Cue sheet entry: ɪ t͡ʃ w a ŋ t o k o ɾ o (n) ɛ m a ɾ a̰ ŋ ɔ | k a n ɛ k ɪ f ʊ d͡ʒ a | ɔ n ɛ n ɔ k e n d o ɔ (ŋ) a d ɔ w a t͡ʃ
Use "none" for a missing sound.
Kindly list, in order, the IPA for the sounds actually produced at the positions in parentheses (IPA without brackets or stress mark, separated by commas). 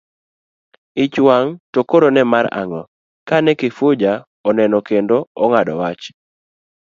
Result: n, ŋ